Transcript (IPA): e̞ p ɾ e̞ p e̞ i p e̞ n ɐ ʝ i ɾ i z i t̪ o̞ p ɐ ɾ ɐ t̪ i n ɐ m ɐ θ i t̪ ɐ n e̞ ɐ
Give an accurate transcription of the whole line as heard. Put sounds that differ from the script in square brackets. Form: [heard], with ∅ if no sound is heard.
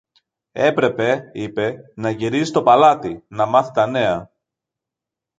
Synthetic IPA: e̞ p ɾ e̞ p e̞ i p e̞ n ɐ ʝ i ɾ i z i t̪ o̞ p ɐ [l] ɐ t̪ i n ɐ m ɐ θ i t̪ ɐ n e̞ ɐ